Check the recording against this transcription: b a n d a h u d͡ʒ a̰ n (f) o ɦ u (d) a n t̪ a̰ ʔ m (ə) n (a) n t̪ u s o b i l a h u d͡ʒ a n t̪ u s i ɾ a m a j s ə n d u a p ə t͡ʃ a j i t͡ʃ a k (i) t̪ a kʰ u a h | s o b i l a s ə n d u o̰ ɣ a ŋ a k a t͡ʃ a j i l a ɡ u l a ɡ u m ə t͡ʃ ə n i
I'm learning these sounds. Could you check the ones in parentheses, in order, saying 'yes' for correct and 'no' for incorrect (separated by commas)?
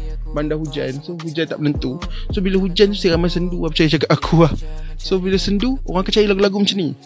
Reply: no, no, yes, no, no